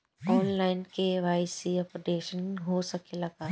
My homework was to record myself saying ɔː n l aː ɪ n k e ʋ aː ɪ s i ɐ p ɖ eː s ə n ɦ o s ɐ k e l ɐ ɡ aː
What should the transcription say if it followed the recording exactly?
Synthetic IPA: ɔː n l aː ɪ n k e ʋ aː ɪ s i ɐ p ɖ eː ʃ ə n ɦ o s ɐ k e l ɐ ɡ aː